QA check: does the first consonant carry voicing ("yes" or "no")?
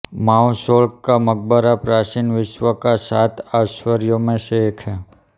yes